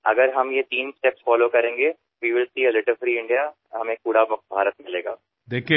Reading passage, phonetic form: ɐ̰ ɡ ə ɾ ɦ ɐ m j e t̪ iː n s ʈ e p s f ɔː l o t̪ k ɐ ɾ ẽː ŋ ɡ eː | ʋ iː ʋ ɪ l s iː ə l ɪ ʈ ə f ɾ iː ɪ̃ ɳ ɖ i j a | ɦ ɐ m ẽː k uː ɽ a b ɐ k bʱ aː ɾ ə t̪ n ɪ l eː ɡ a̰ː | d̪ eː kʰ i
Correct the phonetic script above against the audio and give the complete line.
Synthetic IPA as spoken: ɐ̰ ɡ ə ɾ ɦ ɐ m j e t̪ iː n s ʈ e p s f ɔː l o k ɐ ɾ ẽː ŋ ɡ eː | ʋ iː ʋ ɪ l s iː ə l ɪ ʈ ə f ɾ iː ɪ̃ ɳ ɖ i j a | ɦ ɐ m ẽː k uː ɽ a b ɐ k bʱ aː ɾ ə t̪ m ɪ l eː ɡ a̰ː | d̪ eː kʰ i